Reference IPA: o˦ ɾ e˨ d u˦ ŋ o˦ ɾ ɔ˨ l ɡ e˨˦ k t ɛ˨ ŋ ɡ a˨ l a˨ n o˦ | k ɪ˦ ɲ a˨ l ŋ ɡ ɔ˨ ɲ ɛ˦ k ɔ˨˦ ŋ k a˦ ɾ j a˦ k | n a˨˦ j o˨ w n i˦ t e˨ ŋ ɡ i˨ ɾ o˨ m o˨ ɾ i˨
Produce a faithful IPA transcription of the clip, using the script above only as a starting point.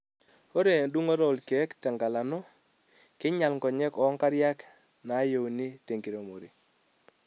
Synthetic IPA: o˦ ɾ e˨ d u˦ ŋ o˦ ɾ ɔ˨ l k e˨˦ k t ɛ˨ ŋ ɡ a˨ l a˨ n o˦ | k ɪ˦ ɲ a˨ l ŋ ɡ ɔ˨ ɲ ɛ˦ k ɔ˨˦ ŋ k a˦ ɾ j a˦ k | n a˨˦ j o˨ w n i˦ t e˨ ŋ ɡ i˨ ɾ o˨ m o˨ ɾ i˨